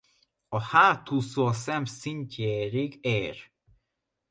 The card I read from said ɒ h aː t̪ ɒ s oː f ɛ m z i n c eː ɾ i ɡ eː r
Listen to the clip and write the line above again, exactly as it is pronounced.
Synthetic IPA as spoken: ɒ h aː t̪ u s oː s ɛ m s i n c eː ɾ i ɡ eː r